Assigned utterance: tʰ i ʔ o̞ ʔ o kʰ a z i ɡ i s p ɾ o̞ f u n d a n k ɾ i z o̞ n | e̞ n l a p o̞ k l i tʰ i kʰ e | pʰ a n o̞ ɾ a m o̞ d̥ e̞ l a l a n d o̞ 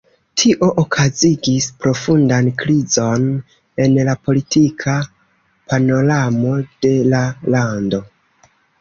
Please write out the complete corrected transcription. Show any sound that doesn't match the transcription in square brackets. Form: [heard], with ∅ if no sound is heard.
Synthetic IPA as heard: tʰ i ʔ o̞ ʔ o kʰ a z i ɡ i s p ɾ o̞ f u n d a n k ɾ i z o̞ n | e̞ n l a p o̞ [∅] l i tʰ i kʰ [a] | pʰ a n o̞ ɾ a m o̞ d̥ e̞ l a l a n d o̞